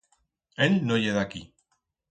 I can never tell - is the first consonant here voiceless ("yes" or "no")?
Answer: no